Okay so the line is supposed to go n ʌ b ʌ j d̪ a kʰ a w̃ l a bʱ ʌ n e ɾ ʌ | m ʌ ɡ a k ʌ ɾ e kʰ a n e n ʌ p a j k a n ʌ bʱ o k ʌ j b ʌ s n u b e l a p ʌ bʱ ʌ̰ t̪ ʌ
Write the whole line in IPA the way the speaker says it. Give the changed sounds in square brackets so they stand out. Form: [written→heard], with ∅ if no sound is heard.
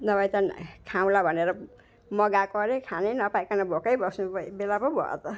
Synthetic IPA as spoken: n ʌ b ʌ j [d̪→t̪] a kʰ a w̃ l a bʱ ʌ n e ɾ ʌ | m ʌ ɡ a k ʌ ɾ e kʰ a n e n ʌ p a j k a n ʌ bʱ o k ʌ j b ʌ s n u b e l a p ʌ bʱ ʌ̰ t̪ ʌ